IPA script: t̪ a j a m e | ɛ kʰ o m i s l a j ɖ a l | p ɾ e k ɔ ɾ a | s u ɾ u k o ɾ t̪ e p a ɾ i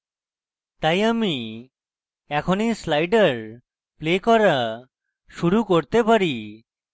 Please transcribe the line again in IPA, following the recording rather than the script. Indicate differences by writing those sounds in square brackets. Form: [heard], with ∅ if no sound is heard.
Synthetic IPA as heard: t̪ a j a m [i] | ɛ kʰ o [n] i s l a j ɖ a [ɾ] | p [l] e k ɔ ɾ a | [ʃ] u ɾ u k o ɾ t̪ e p a ɾ i